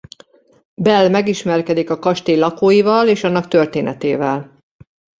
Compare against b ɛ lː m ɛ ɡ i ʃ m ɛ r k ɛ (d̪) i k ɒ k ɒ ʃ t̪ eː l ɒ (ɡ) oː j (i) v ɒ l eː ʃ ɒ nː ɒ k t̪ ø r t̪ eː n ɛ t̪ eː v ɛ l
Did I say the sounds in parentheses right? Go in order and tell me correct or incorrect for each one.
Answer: correct, incorrect: k, correct

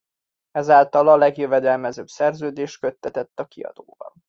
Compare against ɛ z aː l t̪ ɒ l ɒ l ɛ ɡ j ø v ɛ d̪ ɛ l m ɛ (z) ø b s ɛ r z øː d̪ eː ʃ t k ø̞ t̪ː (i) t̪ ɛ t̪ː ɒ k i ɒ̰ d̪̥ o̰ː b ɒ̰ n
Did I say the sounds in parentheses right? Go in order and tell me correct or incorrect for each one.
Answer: correct, incorrect: ɛ

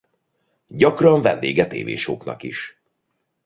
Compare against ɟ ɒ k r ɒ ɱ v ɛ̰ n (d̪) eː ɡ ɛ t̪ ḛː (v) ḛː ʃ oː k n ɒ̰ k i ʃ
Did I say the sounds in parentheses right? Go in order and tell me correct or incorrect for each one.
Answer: correct, correct

